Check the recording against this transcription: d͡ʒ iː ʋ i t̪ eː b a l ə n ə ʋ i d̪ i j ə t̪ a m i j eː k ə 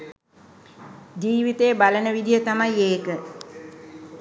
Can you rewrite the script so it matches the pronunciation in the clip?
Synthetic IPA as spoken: d͡ʒ iː ʋ i t̪ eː b a l ə n ə ʋ i d̪ i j ə t̪ a m a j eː k ə